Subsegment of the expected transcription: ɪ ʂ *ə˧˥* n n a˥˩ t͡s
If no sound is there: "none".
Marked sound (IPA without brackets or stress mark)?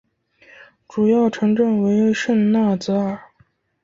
ə˥˧